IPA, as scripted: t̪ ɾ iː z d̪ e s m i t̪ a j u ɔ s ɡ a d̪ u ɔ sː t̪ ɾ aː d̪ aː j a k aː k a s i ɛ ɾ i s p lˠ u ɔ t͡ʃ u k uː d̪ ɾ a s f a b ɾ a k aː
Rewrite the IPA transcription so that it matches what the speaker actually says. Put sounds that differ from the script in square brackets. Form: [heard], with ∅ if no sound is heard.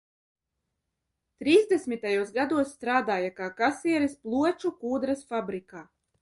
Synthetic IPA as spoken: t̪ ɾ iː z d̪ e s m i t̪ a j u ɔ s ɡ a d̪ u ɔ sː t̪ ɾ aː d̪ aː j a k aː k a s i ɛ ɾ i s p lˠ u ɔ t͡ʃ u k uː d̪ ɾ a s f a b ɾ [i] k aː